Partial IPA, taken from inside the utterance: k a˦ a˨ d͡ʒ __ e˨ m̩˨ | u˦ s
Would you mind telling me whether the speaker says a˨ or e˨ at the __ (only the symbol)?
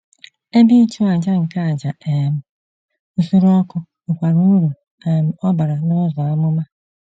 a˨